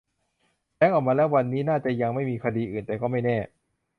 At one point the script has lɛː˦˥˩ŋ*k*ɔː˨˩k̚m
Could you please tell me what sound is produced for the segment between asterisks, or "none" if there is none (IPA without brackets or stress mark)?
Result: ʔ